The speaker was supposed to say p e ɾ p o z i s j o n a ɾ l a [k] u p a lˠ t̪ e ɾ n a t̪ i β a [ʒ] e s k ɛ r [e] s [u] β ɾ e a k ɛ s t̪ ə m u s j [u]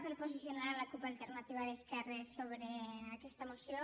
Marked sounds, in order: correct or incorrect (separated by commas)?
correct, incorrect, correct, incorrect, incorrect